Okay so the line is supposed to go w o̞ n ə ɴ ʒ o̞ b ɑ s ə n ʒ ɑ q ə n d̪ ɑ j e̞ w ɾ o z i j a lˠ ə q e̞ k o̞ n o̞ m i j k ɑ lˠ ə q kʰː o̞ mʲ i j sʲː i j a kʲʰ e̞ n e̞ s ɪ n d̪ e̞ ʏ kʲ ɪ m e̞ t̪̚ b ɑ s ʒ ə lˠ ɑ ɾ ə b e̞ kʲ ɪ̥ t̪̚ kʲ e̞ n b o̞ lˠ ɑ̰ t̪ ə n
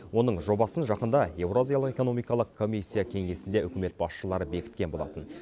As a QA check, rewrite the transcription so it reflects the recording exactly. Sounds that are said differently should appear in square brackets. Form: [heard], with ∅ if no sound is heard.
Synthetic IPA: w o̞ n ə ɴ ʒ o̞ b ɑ s ə n ʒ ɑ q ə n d̪ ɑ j e̞ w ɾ o z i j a lˠ ə q e̞ k o̞ n o̞ m i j k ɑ lˠ ə q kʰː o̞ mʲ i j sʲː i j a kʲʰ e̞ [ŋ] e̞ s ɪ n d̪ e̞ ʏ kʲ ɪ m e̞ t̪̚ b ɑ s [ʃ] ə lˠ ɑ ɾ ə b e̞ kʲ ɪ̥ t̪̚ kʲ e̞ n b o̞ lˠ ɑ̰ t̪ ə n